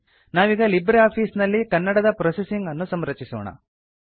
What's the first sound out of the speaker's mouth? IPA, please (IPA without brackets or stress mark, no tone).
n